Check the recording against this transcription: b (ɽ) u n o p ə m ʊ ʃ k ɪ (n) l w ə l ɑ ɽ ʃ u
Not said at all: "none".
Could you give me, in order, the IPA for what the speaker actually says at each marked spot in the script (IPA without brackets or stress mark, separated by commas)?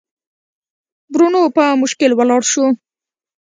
ɾ, none